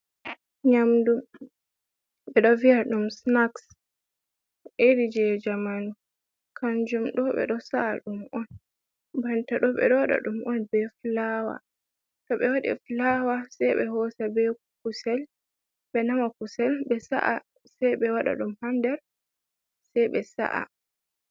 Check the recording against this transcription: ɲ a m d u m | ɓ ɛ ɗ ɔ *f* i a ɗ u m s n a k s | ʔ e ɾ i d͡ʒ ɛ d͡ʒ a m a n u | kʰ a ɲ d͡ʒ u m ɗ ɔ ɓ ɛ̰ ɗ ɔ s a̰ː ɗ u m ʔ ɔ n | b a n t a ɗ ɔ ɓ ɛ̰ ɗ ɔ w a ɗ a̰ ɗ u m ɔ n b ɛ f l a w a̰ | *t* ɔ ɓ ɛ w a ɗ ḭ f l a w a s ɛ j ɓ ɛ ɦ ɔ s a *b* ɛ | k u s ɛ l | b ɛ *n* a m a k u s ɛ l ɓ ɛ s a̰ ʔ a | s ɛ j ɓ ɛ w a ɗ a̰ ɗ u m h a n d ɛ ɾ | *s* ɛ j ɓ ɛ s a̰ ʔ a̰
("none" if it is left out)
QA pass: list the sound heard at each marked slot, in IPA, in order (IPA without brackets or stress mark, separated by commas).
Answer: v, t, b, n, s